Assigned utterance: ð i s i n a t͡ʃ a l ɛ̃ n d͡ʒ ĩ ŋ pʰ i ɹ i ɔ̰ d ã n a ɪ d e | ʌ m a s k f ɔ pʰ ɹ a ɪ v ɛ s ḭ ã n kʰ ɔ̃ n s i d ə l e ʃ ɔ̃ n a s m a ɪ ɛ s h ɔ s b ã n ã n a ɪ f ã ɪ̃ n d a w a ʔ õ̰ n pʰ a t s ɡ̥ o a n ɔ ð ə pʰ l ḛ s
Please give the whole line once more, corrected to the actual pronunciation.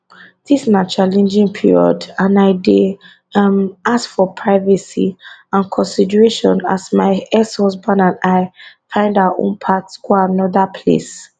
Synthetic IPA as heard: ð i s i n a t͡ʃ a l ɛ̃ n d͡ʒ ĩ ŋ pʰ i ɹ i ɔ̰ d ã n a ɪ d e | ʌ m a s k f ɔ pʰ ɹ a ɪ v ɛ s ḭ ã n kʰ ɔ̃ n s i d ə ɹ e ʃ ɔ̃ n a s m a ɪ ɛ s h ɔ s b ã n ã n a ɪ f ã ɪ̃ n d a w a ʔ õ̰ n pʰ a t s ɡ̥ o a n ɔ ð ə pʰ l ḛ s

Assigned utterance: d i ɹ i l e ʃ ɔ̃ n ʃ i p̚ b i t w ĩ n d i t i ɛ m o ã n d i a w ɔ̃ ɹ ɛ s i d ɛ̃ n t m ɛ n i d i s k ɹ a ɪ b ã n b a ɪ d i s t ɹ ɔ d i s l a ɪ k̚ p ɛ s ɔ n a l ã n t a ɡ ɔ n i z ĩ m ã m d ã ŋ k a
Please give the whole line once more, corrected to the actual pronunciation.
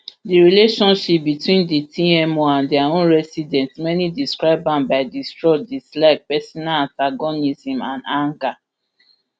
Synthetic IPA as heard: d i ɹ i l e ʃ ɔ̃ n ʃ i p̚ b i t w ĩ n d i t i ɛ m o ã n d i a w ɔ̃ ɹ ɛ s i d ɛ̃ n t m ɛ n i d i s k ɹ a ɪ b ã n b a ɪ d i s t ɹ ɔ d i s l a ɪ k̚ p ɛ s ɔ n a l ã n t a ɡ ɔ n i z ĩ m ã n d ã ŋ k a

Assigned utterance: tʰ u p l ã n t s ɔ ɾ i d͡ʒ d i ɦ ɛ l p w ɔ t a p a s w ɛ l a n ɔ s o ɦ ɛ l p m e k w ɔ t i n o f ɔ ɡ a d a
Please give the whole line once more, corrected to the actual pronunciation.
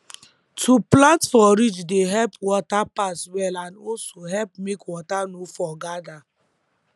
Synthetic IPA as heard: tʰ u p l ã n t f ɔ ɾ i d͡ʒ d e ɦ ɛ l p w ɔ t a p a s w ɛ l a n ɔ s o ɦ ɛ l p m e k w ɔ t a n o f ɔ ɡ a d a

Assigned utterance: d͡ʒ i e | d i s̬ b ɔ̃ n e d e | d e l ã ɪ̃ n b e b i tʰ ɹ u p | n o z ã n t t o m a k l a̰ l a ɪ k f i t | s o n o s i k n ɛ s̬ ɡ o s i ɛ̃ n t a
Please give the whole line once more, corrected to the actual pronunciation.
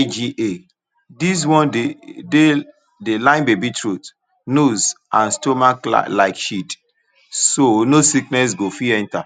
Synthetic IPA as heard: d͡ʒ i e | d i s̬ w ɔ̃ n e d e | d e l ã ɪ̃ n b e b i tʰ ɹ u t | n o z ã n s t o m a k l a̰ l a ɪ k ʃ i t | s o n o s i k n ɛ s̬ ɡ o f i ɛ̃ n t a

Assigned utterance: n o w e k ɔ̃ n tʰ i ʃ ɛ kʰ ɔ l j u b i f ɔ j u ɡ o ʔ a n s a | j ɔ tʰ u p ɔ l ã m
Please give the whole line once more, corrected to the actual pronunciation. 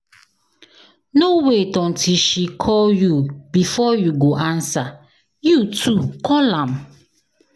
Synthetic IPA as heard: n o w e t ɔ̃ n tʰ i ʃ i kʰ ɔ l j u b i f ɔ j u ɡ o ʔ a n s a | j u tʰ u k ɔ l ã m

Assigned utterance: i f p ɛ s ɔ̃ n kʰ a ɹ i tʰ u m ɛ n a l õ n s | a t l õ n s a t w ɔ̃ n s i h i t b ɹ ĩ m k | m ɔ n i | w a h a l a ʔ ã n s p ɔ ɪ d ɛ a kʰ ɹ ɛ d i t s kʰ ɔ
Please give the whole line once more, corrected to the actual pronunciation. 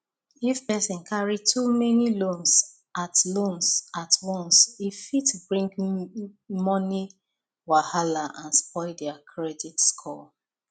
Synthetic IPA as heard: i f p ɛ s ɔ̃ n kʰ a ɹ i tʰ u m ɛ n i l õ n s | a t l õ n s a t w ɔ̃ n s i f i t b ɹ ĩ ŋ k | m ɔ n i | w a h a l a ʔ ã n s p ɔ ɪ d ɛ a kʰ ɹ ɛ d i t s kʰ ɔ

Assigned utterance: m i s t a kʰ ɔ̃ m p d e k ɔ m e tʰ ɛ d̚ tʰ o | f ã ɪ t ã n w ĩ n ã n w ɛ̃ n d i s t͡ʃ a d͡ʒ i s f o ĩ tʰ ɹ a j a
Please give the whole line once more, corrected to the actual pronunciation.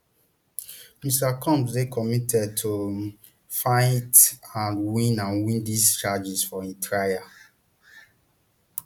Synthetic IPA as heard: m i s t a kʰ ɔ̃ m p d e k ɔ m i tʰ ɛ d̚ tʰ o | f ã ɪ t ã n w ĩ n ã n w ĩ n d i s t͡ʃ a d͡ʒ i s f ɔ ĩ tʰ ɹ a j a

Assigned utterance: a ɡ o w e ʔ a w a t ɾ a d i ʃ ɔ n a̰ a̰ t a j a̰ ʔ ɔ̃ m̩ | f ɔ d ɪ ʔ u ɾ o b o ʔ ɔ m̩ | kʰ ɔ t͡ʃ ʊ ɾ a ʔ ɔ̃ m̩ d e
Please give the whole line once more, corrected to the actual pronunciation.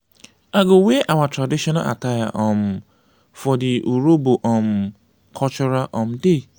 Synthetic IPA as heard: a ɡ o w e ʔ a w a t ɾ a d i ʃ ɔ n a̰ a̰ t a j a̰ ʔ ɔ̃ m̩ | f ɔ d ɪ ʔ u ɾ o b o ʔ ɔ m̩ | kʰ ɔ t͡ʃ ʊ ɾ a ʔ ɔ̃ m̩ d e

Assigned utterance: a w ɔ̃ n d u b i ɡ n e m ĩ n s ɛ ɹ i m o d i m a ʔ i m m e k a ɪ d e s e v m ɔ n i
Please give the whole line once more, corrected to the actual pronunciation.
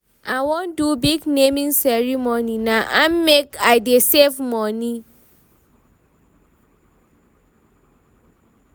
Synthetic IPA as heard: a w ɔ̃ n d u b i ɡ n e m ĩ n s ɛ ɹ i m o n i n a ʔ a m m e k a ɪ d e s e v m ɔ n i

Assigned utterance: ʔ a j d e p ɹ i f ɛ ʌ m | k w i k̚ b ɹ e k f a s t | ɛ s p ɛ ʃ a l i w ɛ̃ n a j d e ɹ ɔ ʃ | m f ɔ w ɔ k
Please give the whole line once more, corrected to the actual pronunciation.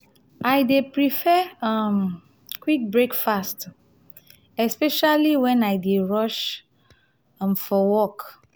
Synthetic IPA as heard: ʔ a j d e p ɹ i f ɛ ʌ m | k w i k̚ b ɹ e k f a s t | ɛ s p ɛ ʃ a l i w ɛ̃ n a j d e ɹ ɔ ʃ | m f ɔ w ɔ k

